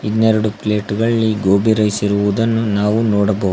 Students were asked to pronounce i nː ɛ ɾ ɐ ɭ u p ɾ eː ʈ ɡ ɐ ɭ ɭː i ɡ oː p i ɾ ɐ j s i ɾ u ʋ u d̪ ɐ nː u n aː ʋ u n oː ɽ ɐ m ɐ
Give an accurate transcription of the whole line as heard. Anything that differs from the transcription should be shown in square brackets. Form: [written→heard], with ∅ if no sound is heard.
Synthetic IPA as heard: i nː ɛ ɾ ɐ [ɭ→ɽ] u p [ɾ→l] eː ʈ ɡ ɐ ɭ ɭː i ɡ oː [p→b] i ɾ ɐ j s i ɾ u ʋ u d̪ ɐ nː u n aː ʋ u n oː ɽ ɐ [m→b] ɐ